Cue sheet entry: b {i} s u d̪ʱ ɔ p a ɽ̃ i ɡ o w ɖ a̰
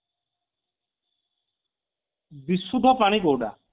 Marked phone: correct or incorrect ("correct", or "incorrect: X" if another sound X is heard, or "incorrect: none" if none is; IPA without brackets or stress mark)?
correct